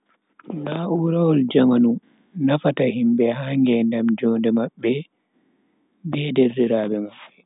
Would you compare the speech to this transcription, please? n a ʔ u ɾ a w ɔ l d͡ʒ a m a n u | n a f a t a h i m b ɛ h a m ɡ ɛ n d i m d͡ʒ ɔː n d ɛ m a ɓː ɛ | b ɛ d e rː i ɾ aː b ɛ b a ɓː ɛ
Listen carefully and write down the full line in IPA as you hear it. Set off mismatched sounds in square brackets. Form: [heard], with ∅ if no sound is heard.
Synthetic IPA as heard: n a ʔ u ɾ a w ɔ l d͡ʒ a m a n u | n a f a t a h i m b ɛ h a [ŋ] ɡ ɛ n d [a] m d͡ʒ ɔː n d ɛ m a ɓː ɛ | b ɛ d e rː i ɾ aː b ɛ [m] a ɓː ɛ